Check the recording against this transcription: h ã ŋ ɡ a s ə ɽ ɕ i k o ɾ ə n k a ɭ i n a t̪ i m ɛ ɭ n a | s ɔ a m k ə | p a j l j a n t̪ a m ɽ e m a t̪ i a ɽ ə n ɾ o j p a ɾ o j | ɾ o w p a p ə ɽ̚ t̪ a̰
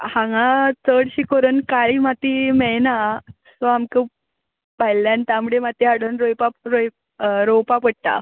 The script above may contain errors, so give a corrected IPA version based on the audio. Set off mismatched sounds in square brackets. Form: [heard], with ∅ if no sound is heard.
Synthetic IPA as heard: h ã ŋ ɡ a [t͡s] ə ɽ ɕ i k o ɾ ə n k a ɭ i [m] a t̪ i m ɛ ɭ n a | s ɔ a m k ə | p a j l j a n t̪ a m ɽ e m a t̪ i a ɽ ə n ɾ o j p a ɾ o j | ɾ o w p a p ə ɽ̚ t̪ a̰